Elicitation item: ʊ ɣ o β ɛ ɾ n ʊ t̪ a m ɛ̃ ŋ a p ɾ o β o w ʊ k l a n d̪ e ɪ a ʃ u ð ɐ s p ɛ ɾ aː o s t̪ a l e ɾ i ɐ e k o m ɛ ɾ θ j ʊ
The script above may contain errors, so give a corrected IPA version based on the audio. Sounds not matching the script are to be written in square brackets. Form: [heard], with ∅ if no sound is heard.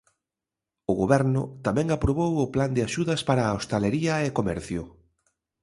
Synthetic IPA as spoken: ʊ ɣ o β ɛ ɾ n ʊ t̪ a m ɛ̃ ŋ a p ɾ o β o w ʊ [p] l a n d̪ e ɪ a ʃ u ð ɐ s p [a] ɾ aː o s t̪ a l e ɾ i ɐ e k o m ɛ ɾ θ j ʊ